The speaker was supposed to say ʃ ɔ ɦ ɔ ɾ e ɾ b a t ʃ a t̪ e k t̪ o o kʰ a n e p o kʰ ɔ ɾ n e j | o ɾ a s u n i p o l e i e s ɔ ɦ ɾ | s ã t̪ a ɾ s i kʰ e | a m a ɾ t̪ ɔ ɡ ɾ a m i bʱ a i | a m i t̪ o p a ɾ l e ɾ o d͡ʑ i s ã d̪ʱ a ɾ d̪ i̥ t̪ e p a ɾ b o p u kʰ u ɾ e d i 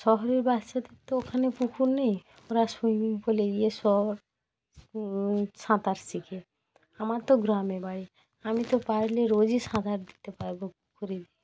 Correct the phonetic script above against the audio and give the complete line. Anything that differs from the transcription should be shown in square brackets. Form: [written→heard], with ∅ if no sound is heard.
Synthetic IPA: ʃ ɔ ɦ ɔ ɾ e ɾ b a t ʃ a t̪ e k t̪ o o kʰ a n e p [o→u] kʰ [ɔ→u] ɾ n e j | o ɾ a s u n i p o l e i e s ɔ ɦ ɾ | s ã t̪ a ɾ s i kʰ e | a m a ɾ t̪ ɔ ɡ ɾ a m [i→e] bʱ a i | a m i t̪ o p a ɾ l e ɾ o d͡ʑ i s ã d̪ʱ a ɾ d̪ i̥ t̪ e p a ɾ b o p u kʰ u ɾ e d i